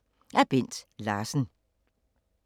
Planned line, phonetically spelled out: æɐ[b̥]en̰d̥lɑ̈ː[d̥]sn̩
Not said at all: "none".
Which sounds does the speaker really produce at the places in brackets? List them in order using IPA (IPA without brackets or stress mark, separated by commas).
b̥, none